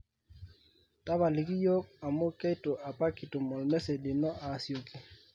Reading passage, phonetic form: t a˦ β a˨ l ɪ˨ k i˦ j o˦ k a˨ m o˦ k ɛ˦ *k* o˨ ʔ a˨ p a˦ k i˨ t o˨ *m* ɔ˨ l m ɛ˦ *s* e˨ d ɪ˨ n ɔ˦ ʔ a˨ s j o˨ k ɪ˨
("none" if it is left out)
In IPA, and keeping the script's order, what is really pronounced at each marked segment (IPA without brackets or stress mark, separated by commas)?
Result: t, m, s